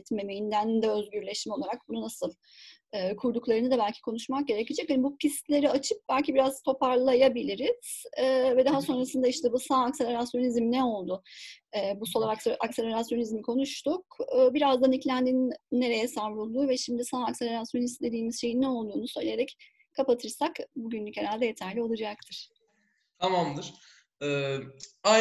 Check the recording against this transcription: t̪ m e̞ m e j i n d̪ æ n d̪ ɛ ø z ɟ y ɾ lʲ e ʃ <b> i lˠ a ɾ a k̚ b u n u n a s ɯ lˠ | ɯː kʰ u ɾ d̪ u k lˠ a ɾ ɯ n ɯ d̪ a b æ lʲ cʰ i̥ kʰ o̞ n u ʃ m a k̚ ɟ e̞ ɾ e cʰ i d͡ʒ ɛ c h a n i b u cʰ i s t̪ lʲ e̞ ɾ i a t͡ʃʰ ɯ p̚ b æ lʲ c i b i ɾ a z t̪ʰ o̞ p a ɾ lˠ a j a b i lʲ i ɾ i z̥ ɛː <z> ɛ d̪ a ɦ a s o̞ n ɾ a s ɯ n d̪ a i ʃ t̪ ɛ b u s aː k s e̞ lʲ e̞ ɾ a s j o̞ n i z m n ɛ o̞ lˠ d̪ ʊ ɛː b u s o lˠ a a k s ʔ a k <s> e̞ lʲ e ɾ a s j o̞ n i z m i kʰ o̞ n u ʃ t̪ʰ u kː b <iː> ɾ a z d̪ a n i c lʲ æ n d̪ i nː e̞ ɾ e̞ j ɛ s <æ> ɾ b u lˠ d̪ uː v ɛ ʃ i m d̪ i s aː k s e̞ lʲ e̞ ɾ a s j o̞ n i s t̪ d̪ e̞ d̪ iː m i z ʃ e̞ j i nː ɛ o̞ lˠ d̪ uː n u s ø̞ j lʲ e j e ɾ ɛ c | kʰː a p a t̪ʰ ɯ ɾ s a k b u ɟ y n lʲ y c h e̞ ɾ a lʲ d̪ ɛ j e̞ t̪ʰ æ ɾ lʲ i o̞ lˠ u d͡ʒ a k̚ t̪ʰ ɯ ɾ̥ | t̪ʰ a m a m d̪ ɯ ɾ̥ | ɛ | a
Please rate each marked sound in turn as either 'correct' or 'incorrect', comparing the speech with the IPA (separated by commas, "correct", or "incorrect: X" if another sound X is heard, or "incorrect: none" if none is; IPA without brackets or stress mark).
incorrect: m, incorrect: v, correct, incorrect: i, incorrect: a